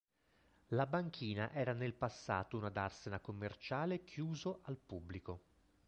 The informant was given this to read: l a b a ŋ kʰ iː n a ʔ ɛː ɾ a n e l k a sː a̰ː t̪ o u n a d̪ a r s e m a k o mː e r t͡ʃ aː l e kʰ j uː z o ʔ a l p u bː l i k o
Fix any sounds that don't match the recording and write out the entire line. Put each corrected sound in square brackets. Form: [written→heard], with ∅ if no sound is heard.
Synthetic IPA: l a b a ŋ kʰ iː n a ʔ ɛː ɾ a n e l [k→p] a sː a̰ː t̪ o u n a d̪ a r s e [m→n] a k o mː e r t͡ʃ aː l e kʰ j uː z o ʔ a l p u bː l i k o